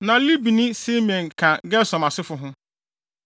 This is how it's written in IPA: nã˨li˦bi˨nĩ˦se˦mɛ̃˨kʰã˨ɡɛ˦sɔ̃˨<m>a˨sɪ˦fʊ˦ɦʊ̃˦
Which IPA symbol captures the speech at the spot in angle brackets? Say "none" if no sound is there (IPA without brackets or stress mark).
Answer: m